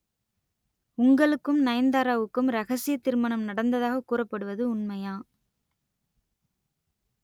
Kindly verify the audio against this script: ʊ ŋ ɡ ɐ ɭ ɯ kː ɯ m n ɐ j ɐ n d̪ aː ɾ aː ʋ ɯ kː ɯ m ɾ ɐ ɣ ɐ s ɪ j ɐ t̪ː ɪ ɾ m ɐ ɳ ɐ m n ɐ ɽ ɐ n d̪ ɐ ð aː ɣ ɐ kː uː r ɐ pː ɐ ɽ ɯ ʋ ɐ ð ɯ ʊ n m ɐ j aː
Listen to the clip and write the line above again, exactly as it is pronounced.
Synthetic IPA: ʊ ŋ ɡ ɐ ɭ ɯ kː ɯ m n ɐ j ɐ n d̪ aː ɾ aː ʋ ɯ kː ɯ m ɾ ɐ ɣ ɐ s ɪ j ɐ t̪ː ɪ ɾ m ɐ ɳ ɐ m n ɐ ɽ ɐ n d̪ ɐ ð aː ɣ ɐ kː uː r ɐ pː ɐ ɽ ɯ ʋ ɐ ð ɯ ʊ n m ɐ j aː

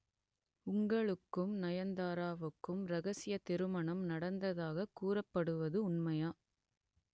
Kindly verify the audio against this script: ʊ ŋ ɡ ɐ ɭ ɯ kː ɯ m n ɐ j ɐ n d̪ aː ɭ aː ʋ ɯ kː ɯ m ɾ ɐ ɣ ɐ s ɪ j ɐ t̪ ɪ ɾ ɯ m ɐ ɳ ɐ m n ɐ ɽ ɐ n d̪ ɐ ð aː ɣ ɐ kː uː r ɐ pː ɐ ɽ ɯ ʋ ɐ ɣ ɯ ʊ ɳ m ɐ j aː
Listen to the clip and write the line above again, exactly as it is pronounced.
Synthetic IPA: ʊ ŋ ɡ ɐ ɭ ɯ kː ɯ m n ɐ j ɐ n d̪ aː ɾ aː ʋ ɯ kː ɯ m ɾ ɐ ɣ ɐ s ɪ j ɐ t̪ ɪ ɾ ɯ m ɐ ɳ ɐ m n ɐ ɽ ɐ n d̪ ɐ ð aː ɣ ɐ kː uː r ɐ pː ɐ ɽ ɯ ʋ ɐ ð ɯ ʊ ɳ m ɐ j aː

